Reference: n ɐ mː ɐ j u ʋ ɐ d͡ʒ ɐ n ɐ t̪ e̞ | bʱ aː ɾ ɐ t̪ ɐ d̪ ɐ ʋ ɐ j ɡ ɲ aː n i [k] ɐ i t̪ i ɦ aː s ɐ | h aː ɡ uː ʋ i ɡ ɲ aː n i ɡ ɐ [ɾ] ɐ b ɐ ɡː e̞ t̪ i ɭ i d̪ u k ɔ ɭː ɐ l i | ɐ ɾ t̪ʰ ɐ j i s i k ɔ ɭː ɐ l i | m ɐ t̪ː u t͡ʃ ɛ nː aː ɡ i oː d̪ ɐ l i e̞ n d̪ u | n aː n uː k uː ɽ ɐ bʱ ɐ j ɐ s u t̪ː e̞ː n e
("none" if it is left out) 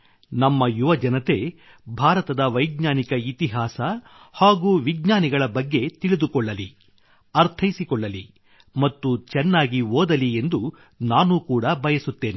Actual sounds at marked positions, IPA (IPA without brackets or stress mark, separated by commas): k, ɭ